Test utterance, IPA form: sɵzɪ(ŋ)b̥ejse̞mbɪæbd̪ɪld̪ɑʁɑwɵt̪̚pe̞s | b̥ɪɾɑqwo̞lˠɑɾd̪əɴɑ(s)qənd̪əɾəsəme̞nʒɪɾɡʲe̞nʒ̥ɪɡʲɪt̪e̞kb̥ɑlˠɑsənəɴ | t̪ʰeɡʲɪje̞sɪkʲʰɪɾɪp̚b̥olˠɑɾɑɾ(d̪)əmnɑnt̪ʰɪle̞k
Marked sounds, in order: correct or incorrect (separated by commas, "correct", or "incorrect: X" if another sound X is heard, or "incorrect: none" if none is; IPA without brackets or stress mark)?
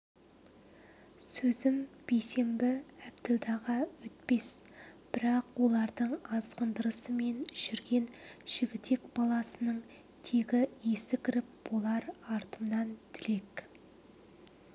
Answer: incorrect: m, incorrect: z, incorrect: t̪